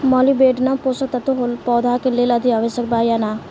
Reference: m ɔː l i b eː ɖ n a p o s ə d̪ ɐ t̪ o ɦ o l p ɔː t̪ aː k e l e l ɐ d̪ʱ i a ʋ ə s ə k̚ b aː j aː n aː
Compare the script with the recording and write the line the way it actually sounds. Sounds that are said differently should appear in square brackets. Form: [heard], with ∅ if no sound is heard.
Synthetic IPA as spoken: m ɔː l i b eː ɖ n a p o s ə [t̪] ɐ t̪ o ɦ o l p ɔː [d̪] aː k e l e l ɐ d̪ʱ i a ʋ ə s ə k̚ b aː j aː n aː